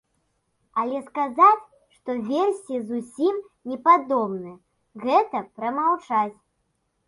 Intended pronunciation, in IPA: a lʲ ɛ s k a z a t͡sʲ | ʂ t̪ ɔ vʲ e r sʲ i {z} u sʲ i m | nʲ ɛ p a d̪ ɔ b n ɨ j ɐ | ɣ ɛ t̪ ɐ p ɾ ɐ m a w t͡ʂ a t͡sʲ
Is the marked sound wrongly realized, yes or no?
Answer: no